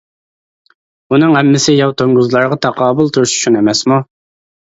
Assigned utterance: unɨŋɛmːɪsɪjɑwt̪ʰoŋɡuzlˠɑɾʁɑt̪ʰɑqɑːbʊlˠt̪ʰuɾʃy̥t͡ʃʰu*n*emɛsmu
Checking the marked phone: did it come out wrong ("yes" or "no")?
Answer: no